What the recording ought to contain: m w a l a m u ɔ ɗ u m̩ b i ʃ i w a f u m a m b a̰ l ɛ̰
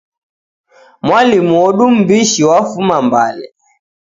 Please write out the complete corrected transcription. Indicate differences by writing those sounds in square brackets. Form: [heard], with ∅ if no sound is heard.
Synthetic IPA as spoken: m w a l [i] m u ɔ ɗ u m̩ b i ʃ i w a f u m a m b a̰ l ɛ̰